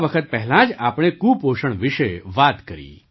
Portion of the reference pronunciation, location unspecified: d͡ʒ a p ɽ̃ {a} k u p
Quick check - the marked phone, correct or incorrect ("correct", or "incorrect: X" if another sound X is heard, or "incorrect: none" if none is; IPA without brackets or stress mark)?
incorrect: e